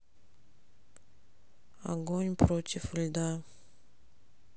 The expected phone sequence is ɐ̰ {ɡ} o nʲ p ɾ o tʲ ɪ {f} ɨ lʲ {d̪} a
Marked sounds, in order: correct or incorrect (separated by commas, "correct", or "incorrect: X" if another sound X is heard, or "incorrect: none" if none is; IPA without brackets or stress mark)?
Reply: correct, correct, correct